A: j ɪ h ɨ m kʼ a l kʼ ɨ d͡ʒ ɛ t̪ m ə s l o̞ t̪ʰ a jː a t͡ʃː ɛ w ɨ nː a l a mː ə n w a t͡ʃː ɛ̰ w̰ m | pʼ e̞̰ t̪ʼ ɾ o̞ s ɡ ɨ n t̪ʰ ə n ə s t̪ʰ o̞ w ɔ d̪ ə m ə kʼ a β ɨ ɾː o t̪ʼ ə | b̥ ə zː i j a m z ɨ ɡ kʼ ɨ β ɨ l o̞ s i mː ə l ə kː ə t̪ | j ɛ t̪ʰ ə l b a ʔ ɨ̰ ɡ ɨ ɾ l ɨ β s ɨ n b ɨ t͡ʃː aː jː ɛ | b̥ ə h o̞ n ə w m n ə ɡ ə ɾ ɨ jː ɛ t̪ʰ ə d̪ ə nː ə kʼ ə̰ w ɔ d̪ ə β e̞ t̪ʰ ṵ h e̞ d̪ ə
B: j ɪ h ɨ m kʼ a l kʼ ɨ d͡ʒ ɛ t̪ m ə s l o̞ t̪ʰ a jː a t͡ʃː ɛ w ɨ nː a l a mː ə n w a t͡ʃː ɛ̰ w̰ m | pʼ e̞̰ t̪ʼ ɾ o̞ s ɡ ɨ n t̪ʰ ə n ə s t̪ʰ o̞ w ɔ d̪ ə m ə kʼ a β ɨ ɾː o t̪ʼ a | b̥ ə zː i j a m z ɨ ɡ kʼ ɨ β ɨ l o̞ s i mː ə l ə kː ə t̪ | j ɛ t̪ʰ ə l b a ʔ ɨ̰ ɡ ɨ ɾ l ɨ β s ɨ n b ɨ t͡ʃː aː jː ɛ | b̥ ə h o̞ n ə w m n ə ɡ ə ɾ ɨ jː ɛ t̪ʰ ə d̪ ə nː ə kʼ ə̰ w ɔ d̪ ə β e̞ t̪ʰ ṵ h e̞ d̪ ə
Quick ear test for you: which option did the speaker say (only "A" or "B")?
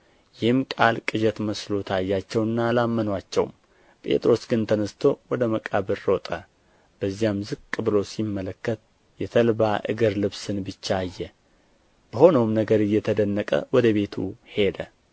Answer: A